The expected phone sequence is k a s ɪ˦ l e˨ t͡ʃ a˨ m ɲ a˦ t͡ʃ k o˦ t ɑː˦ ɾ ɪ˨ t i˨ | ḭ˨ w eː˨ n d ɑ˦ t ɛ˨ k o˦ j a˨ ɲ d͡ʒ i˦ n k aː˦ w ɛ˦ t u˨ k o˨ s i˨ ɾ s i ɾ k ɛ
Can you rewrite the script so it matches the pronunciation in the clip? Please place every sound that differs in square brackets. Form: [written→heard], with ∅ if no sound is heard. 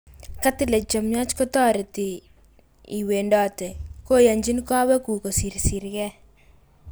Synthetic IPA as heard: k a [s→t] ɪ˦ l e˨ t͡ʃ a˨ m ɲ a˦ t͡ʃ k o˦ t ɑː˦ ɾ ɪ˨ t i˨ | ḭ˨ w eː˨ n d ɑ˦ t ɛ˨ k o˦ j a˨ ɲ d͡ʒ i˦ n k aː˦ w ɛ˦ [t→k] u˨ k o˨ s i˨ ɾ s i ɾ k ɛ